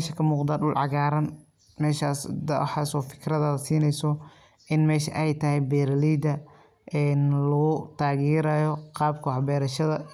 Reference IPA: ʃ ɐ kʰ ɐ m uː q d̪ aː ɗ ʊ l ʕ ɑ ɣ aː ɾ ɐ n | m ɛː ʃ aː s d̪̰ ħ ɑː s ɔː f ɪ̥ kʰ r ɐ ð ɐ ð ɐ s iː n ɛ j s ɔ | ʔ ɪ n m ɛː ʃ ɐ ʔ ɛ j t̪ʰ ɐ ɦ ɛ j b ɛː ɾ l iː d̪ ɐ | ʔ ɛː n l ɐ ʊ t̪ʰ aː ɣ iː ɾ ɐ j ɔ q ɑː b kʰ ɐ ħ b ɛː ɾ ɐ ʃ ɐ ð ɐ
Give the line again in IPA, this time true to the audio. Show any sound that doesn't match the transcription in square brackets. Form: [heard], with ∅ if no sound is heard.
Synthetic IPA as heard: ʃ ɐ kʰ ɐ m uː q d̪ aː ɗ ʊ l ʕ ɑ ɣ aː ɾ ɐ n | m ɛː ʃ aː s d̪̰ ħ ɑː s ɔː f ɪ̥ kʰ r ɐ ð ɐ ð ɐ s iː n ɛ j s ɔ | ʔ ɪ n m ɛː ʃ ɐ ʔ ɛ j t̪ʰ ɐ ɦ ɛ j b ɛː ɾ l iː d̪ ɐ | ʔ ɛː n l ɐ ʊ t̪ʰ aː ɣ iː ɾ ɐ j ɔ q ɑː b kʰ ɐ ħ b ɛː ɾ ɐ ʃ ɐ ð ɐ